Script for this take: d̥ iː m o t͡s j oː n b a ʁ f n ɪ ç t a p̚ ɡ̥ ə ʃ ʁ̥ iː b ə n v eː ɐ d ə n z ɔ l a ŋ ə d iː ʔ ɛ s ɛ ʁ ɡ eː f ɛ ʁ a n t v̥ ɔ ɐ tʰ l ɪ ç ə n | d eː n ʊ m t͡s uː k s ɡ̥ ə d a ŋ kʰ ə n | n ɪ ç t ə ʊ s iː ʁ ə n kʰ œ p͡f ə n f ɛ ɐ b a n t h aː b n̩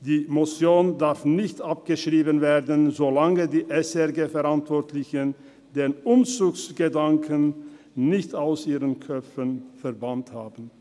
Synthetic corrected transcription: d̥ iː m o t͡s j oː n d a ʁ f n ɪ ç t a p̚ ɡ̥ ə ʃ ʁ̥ iː b ə n v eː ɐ d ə n z o l a ŋ ə d iː ʔ ɛ s ɛ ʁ ɡ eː f ɛ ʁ a n t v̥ ɔ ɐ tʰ l ɪ ç ə n | d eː n ʊ m t͡s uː k s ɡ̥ ə d a ŋ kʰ ə n | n ɪ ç t a ʊ s iː ʁ ə n kʰ œ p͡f ə n f ɛ ɐ b a n t h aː b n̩

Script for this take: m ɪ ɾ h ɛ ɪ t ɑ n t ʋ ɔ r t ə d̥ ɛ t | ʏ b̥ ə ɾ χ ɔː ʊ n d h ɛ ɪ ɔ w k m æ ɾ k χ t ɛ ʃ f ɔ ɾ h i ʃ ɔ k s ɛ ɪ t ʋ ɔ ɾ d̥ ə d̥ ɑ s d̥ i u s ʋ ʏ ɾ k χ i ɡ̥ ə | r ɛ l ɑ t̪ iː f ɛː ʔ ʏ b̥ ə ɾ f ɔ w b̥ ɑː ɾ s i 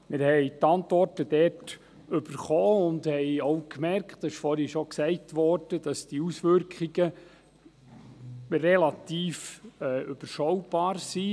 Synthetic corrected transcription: m ɪ ɾ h ɛ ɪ t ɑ n t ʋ ɔ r t ə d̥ ɛ t | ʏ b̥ ə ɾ χ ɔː ʊ n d h ɛ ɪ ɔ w k m ɛ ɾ k χ t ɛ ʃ f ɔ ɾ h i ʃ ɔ k s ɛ ɪ t ʋ ɔ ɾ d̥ ə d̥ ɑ s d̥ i u s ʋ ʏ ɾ k χ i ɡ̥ ə | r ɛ l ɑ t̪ iː f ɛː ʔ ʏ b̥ ə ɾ ʃ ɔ w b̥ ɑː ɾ s i

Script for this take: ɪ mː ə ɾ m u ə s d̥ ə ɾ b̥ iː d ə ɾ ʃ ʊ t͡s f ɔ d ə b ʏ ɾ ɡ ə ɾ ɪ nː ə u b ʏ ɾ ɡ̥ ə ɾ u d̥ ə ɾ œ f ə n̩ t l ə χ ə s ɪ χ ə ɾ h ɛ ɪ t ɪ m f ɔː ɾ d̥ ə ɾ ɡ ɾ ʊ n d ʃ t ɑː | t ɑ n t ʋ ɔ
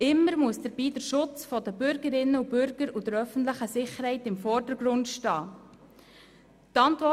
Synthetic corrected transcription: ɪ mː ə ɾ m u ə s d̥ ə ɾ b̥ iː d ə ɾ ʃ ʊ t͡s f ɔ d ə b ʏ ɾ ɡ ə ɾ ɪ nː ə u b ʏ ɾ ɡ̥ ə ɾ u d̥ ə ɾ œ f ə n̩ t l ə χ ə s ɪ χ ə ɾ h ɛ ɪ t ɪ m f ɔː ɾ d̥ ə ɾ ɡ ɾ ʊ n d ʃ t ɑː | t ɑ n t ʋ ɔ

